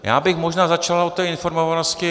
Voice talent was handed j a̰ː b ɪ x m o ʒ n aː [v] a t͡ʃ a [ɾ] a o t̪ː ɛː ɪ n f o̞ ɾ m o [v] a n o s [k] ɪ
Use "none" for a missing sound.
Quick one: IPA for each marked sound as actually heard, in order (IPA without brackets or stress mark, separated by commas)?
z, l, v, c